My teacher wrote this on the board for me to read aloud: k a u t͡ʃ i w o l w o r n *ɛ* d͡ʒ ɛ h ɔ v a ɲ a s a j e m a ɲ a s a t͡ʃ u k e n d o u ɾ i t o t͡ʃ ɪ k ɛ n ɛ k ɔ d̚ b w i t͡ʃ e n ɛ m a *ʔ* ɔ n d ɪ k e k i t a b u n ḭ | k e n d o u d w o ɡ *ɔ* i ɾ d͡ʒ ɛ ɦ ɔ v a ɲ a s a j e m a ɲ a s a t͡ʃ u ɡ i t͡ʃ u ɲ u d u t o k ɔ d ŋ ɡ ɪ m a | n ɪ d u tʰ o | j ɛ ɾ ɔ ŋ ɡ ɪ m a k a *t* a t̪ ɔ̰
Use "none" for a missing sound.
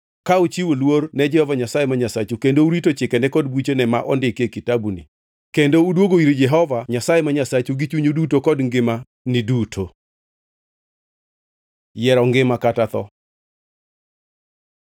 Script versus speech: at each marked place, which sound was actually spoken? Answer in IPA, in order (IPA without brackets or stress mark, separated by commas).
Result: ɛ, ʔ, o, t